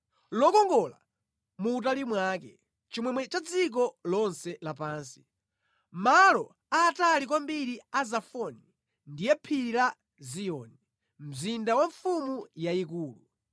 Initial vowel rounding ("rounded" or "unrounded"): rounded